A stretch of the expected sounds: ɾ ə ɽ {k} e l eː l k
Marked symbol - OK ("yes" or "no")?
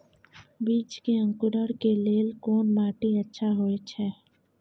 yes